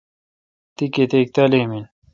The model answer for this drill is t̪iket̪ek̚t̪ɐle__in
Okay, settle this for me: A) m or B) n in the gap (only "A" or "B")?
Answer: A